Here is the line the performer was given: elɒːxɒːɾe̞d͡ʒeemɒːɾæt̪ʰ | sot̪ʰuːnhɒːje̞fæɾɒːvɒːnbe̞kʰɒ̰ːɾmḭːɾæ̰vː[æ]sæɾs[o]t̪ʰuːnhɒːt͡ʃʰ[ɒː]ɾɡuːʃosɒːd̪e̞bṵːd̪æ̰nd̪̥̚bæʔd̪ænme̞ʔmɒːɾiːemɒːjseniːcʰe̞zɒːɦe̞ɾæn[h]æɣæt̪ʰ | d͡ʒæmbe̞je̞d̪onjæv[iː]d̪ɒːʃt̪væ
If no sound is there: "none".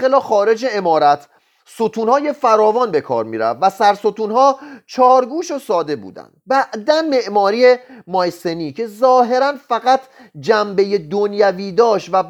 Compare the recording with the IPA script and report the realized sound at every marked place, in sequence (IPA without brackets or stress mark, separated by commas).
æ, o, ɒː, f, iː